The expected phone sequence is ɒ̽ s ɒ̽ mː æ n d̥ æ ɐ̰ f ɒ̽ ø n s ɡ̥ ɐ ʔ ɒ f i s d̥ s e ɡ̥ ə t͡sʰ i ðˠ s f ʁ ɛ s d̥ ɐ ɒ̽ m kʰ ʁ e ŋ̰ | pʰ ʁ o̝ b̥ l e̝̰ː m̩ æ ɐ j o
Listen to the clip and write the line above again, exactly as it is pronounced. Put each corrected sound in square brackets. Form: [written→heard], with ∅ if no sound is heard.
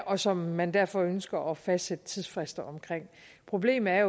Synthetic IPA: ɒ̽ s ɒ̽ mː æ n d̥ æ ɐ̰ f ɒ̽ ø n s ɡ̥ ɐ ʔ ɒ f [i→æ] s d̥ s e [ɡ̥→d̥] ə t͡sʰ i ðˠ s f ʁ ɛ s d̥ ɐ ɒ̽ m kʰ ʁ e ŋ̰ | pʰ ʁ o̝ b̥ l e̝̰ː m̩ æ ɐ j o